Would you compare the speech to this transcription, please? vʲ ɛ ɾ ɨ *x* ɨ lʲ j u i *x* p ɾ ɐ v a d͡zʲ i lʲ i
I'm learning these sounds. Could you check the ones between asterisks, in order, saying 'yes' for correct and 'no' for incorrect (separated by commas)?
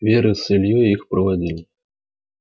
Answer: no, yes